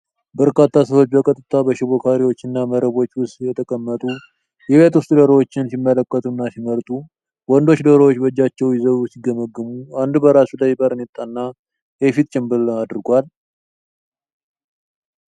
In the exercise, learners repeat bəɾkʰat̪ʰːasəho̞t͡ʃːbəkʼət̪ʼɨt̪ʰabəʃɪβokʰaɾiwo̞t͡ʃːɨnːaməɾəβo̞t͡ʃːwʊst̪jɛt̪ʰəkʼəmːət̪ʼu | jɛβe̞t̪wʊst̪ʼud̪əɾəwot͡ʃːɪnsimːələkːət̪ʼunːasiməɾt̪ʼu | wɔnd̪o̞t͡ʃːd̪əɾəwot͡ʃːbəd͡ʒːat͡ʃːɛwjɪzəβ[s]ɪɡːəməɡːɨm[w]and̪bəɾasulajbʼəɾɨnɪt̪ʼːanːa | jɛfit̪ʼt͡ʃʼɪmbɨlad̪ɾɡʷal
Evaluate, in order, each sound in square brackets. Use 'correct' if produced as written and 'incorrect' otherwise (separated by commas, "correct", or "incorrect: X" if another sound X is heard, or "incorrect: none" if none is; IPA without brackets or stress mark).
correct, incorrect: u